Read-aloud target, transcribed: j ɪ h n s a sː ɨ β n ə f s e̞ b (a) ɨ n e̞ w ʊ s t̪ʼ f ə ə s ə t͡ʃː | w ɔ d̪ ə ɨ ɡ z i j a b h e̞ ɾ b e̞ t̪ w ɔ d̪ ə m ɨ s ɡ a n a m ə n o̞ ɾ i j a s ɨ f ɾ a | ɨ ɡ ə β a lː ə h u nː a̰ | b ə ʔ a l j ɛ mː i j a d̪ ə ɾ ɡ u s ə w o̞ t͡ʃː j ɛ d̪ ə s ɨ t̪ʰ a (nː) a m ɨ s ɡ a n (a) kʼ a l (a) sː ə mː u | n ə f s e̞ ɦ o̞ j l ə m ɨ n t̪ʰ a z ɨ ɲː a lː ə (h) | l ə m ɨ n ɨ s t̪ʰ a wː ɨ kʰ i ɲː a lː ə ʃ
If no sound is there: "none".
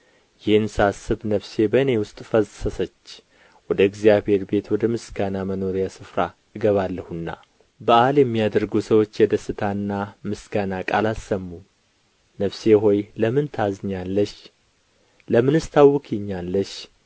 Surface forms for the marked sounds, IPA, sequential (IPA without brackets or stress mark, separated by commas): ə, nː, a, a, ʃ